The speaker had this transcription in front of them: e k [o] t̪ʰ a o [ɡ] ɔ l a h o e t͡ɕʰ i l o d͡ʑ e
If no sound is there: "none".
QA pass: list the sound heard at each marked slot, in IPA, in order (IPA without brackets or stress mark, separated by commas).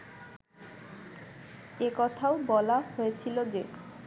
ɔ, b